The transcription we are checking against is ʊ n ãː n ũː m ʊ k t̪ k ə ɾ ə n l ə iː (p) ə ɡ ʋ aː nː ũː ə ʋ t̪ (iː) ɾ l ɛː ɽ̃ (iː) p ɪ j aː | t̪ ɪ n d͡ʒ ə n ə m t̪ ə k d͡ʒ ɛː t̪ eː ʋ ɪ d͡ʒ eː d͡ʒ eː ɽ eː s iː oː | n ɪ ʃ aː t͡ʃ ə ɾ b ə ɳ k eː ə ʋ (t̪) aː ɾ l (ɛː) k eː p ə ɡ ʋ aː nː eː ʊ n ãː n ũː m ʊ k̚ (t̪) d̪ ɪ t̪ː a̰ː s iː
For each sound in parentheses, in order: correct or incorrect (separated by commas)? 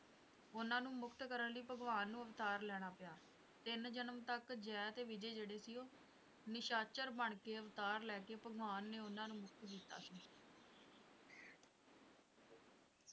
correct, incorrect, incorrect, correct, correct, correct